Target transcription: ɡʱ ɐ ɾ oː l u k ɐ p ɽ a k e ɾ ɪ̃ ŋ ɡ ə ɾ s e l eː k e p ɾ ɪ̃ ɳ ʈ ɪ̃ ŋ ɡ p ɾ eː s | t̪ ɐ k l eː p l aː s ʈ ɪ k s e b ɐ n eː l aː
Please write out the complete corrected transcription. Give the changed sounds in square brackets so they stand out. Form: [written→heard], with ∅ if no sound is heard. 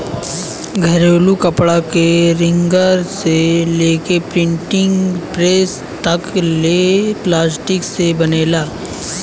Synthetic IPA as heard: ɡʱ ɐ ɾ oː l u k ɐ p ɽ a k e ɾ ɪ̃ ŋ ɡ ə ɾ s e l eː k e p ɾ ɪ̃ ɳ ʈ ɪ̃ ŋ ɡ p ɾ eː s | t̪ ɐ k l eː p l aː s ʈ ɪ k s e b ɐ n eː l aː